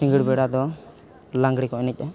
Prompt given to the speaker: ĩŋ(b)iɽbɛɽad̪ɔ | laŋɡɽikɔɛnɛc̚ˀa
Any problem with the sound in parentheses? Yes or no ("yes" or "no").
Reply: yes